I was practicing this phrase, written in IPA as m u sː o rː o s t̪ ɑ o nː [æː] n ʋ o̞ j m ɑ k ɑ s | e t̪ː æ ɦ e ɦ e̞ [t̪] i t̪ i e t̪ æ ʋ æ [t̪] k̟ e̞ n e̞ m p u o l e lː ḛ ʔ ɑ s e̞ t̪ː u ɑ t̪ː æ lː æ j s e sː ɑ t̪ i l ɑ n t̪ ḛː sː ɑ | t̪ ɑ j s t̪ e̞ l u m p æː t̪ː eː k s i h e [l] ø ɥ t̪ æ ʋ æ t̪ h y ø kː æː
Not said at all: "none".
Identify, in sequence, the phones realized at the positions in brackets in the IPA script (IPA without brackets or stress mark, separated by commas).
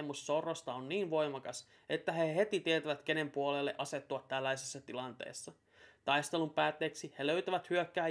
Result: iː, t̪, t̪, l